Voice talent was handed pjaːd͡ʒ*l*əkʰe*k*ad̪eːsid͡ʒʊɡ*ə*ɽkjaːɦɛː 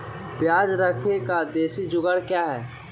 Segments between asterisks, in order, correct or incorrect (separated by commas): incorrect, correct, correct